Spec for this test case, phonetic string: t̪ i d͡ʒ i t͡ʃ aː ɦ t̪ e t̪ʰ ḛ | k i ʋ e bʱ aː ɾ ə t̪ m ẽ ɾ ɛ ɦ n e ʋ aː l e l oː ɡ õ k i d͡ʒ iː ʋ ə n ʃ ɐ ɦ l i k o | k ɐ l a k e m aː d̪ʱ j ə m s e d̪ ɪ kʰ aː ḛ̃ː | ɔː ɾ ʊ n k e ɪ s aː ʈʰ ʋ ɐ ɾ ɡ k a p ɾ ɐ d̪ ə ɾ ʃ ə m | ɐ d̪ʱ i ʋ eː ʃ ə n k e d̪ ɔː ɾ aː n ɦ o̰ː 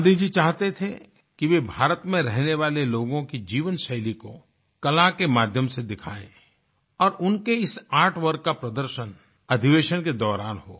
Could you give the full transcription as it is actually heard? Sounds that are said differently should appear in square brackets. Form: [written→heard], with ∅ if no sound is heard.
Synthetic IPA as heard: [t̪→d̪] i d͡ʒ i t͡ʃ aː ɦ t̪ e t̪ʰ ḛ | k i ʋ e bʱ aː ɾ ə t̪ m ẽ ɾ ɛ ɦ n e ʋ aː l e l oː ɡ õ k i d͡ʒ iː ʋ ə n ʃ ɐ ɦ l i k o | k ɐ l a k e m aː d̪ʱ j ə m s e d̪ ɪ kʰ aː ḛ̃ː | ɔː ɾ ʊ n k e ɪ s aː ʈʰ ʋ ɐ ɾ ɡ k a p ɾ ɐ d̪ ə ɾ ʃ ə [m→n] | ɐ d̪ʱ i ʋ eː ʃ ə n k e d̪ ɔː ɾ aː n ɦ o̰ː